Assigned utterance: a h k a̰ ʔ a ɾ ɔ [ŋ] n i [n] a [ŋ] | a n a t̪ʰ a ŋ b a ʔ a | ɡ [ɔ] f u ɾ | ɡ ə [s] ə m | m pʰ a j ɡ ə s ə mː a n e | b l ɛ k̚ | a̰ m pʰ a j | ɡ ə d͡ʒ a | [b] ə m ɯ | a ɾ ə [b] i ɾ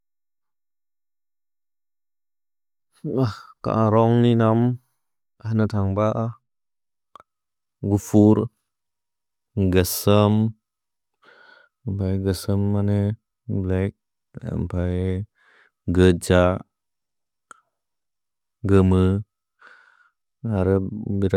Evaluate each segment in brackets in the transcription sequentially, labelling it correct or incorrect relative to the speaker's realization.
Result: correct, correct, incorrect: m, incorrect: u, correct, incorrect: ɡ, correct

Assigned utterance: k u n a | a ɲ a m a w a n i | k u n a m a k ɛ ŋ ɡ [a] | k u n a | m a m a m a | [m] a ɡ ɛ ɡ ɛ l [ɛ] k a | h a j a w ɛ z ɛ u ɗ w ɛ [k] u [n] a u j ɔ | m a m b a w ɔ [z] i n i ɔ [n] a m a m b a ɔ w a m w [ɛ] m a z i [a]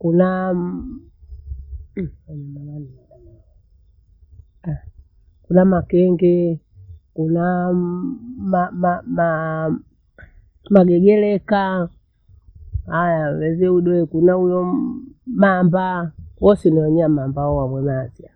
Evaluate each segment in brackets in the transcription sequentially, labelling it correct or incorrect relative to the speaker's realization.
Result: incorrect: ɛ, correct, correct, correct, correct, incorrect: s, incorrect: ɲ, correct, correct

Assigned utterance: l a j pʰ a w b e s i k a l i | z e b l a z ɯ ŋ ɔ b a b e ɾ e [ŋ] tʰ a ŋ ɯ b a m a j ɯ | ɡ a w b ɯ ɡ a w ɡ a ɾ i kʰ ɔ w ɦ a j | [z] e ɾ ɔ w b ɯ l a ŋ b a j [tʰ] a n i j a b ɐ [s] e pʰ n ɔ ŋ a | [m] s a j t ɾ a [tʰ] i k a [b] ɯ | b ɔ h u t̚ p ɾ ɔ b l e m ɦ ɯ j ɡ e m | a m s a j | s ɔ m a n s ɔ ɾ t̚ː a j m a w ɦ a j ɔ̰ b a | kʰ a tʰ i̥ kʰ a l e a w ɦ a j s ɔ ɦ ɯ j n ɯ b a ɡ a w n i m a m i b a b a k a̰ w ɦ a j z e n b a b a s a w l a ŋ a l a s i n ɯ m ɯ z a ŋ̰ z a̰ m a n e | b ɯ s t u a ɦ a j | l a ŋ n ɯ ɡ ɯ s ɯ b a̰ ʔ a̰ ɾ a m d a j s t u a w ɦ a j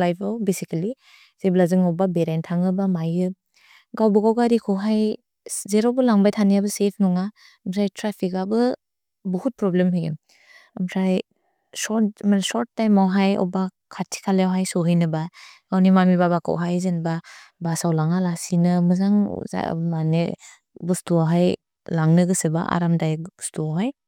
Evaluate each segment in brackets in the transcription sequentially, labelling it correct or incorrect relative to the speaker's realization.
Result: incorrect: n, correct, correct, correct, correct, incorrect: pʰ, correct

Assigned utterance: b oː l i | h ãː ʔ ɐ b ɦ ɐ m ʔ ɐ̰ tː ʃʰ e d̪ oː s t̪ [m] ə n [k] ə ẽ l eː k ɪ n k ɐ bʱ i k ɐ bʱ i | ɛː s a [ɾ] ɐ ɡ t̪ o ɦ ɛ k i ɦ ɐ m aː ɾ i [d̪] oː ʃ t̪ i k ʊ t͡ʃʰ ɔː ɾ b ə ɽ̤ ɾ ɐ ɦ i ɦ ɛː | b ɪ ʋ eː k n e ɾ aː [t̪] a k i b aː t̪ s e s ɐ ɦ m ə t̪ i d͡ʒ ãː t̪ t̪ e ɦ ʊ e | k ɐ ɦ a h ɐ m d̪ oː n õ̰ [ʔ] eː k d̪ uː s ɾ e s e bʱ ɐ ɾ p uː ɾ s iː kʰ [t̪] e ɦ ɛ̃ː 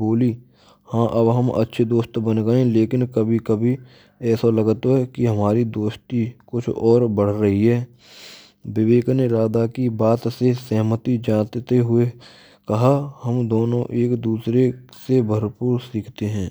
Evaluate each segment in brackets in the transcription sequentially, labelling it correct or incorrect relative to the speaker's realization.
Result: incorrect: b, incorrect: ɡ, incorrect: l, correct, incorrect: d̪, correct, correct

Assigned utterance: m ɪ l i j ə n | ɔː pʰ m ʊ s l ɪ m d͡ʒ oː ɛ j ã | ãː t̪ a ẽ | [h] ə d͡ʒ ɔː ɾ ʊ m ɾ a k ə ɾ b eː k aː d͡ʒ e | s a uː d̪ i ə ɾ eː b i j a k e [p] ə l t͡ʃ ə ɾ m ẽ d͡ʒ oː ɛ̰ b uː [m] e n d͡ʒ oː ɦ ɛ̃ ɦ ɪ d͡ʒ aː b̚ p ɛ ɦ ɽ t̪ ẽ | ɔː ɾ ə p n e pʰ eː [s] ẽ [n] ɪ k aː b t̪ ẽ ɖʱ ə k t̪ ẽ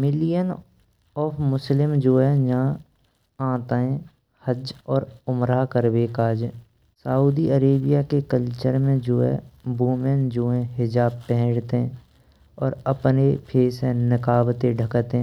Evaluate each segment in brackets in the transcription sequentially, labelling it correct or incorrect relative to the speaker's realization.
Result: correct, incorrect: k, correct, correct, correct

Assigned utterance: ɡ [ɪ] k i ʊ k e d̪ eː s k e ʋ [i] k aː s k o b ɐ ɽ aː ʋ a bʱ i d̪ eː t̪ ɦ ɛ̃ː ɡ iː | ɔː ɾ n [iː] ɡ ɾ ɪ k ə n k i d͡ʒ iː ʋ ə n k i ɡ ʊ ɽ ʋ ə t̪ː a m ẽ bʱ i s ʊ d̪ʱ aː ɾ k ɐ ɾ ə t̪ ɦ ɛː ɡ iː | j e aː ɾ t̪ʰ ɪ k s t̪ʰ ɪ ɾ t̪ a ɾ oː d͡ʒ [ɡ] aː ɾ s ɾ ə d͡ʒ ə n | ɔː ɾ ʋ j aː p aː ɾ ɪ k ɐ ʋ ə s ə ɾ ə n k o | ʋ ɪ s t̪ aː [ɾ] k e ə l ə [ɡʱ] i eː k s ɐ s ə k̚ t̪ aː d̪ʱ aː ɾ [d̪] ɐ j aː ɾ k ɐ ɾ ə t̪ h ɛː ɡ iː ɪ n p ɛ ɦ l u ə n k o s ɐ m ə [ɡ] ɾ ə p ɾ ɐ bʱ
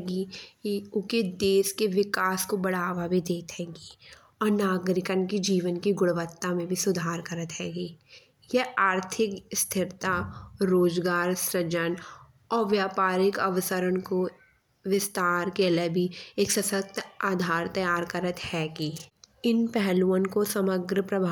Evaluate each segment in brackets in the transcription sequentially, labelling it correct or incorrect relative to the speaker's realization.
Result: incorrect: i, incorrect: ɪ, incorrect: aː, correct, correct, incorrect: bʱ, incorrect: t̪, correct

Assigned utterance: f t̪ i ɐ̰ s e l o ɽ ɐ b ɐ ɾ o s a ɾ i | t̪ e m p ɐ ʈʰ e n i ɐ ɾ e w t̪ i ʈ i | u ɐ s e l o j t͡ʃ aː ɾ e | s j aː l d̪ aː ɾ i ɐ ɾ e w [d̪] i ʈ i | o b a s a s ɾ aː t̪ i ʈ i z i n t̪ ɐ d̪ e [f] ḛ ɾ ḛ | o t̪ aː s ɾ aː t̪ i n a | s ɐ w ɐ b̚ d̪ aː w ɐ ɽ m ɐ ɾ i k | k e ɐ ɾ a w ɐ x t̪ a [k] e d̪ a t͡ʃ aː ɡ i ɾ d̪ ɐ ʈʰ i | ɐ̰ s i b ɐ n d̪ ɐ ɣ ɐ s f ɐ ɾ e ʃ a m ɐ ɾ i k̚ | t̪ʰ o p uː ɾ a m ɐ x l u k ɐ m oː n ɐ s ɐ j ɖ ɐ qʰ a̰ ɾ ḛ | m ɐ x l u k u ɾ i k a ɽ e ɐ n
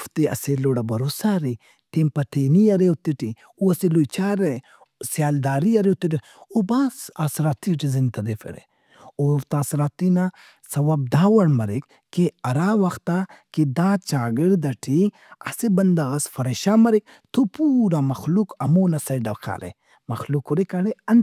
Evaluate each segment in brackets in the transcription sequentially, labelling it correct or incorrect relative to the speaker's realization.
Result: incorrect: t̪, correct, correct

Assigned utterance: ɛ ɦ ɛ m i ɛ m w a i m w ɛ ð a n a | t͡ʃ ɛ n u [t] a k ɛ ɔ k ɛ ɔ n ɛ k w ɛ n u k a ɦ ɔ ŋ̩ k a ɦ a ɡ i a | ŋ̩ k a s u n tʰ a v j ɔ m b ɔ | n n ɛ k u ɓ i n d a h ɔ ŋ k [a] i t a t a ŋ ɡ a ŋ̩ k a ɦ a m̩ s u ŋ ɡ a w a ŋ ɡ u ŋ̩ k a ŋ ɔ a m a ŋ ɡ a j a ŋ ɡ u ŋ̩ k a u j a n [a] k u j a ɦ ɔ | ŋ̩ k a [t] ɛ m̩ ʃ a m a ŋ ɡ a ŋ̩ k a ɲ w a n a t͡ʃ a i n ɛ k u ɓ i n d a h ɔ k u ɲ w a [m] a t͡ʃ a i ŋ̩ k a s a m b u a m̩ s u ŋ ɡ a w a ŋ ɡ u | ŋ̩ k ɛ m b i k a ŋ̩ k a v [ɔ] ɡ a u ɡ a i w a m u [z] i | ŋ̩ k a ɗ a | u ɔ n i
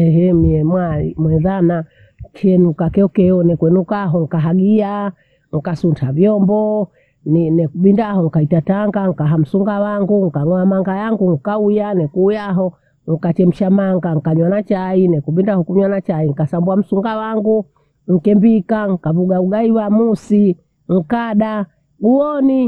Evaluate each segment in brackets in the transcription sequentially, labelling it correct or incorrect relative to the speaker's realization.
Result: incorrect: k, correct, incorrect: ɛ, incorrect: t͡ʃ, incorrect: n, incorrect: u, incorrect: s

